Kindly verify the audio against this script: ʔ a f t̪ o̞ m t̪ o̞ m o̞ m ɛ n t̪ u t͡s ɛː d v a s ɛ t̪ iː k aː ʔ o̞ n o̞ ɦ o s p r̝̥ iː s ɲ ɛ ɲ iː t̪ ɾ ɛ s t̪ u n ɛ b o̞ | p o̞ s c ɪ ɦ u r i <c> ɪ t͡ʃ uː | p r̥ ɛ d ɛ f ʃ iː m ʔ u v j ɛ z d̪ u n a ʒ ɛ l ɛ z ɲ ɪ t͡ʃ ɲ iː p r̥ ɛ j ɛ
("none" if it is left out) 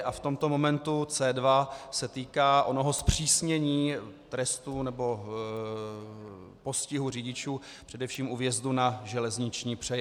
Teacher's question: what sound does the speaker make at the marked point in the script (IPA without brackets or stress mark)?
ɟ